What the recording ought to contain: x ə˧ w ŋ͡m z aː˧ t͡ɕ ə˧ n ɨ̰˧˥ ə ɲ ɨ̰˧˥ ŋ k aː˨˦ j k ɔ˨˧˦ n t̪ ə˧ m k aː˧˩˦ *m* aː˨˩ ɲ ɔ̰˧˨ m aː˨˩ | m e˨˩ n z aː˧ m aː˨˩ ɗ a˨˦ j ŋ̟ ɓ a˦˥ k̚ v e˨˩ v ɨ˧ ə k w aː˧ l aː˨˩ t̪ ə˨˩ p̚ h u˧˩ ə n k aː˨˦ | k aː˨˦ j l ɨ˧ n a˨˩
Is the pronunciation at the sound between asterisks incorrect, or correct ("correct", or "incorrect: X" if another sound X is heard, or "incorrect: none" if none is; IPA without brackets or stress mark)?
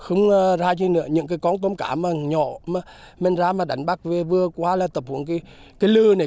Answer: correct